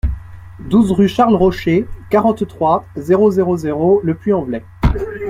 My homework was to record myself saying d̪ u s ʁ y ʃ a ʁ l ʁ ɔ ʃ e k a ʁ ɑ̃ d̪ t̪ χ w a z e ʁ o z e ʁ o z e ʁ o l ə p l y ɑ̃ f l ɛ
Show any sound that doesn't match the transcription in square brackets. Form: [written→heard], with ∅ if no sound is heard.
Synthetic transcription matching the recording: d̪ u [s→z] ʁ y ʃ a ʁ l ʁ ɔ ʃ e k a ʁ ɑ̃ [d̪→t̪] t̪ χ w a z e ʁ o z e ʁ o z e ʁ o l ə p l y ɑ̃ [f→v] l ɛ